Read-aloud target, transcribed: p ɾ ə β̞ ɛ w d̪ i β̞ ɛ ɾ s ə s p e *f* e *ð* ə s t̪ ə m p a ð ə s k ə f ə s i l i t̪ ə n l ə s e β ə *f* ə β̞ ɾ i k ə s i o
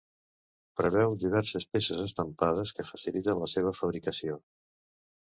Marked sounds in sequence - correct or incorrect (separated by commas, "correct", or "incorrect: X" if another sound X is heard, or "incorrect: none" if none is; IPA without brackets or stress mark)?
incorrect: s, incorrect: z, correct